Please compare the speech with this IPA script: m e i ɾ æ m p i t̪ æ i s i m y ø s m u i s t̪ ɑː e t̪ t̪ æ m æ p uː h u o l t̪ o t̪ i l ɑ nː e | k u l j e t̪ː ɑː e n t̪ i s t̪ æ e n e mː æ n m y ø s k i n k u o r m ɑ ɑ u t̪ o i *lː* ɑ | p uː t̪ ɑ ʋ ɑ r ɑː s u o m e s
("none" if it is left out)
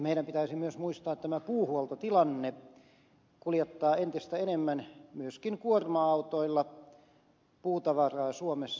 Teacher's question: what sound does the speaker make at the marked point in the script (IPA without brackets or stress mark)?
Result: lː